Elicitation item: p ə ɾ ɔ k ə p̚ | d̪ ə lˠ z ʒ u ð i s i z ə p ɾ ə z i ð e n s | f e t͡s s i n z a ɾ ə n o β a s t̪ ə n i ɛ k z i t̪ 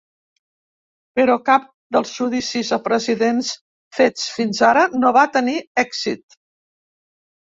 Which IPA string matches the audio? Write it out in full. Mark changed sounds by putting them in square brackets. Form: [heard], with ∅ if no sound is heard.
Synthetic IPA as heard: p ə ɾ ɔ k [a] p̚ | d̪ ə lˠ z ʒ u ð i s i z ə p ɾ ə z i ð e n s | f e t͡s [f] i n z a ɾ ə n o β a [∅] t̪ ə n i ɛ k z i t̪